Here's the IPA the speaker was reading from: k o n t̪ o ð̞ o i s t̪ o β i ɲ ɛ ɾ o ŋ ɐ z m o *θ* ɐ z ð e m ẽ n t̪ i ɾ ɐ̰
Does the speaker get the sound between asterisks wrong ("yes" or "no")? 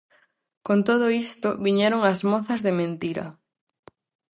no